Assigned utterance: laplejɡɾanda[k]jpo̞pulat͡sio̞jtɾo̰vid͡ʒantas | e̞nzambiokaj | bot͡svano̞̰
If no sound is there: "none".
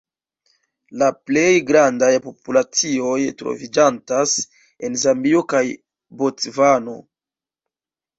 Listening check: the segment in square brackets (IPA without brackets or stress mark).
none